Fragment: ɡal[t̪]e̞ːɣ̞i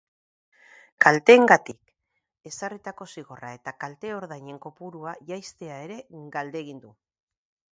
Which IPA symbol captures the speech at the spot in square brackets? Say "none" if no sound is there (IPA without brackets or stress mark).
d̪